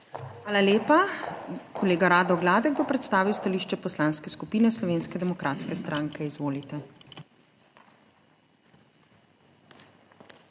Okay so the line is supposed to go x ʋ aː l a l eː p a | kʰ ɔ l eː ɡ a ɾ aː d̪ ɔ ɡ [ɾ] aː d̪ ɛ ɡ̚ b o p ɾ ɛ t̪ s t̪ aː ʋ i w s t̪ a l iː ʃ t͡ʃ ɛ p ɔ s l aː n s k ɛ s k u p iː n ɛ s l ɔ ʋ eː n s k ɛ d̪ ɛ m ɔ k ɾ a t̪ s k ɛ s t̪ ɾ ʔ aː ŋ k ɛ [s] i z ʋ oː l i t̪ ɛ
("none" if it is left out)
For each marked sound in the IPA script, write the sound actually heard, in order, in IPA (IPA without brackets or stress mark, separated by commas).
l, none